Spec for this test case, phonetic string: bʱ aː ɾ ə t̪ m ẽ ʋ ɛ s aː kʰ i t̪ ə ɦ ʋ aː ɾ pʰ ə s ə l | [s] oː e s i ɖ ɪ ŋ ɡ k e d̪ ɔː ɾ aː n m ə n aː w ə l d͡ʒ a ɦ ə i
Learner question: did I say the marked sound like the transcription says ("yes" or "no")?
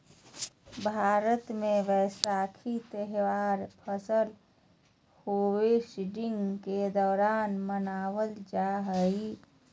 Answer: no